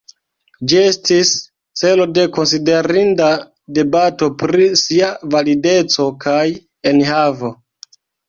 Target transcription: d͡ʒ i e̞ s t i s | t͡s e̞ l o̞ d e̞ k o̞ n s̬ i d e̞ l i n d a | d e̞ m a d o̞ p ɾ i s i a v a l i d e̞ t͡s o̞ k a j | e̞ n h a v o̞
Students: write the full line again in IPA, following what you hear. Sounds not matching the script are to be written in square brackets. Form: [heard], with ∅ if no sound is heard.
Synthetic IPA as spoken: d͡ʒ i e̞ s t i s | t͡s e̞ l o̞ d e̞ k o̞ n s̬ i d e̞ [ɾ] i n d a | d e̞ [b] a [t] o̞ p ɾ i s i a v a l i d e̞ t͡s o̞ k a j | e̞ n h a v o̞